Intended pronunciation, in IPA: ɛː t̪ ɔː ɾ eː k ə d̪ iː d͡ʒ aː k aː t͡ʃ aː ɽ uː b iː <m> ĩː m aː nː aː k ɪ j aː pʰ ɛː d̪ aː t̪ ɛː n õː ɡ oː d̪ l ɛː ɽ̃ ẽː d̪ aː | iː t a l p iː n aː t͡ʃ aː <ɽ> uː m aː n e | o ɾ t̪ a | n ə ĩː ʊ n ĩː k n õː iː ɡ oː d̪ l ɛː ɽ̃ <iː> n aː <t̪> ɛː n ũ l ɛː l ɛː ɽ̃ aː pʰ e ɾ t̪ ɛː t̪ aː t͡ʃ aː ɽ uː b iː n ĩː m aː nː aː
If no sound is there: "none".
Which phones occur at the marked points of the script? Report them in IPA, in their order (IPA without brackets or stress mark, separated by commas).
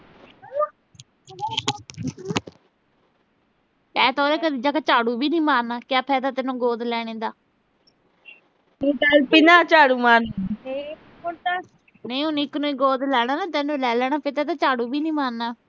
n, ɽ, aː, t̪